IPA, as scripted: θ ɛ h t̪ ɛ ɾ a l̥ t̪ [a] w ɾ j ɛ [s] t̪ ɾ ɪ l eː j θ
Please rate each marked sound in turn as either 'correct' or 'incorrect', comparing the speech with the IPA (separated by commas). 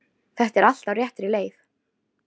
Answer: correct, incorrect